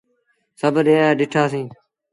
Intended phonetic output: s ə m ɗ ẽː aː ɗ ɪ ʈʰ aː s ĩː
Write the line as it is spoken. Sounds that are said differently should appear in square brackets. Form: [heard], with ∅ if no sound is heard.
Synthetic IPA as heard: s ə [b] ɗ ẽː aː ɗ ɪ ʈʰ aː s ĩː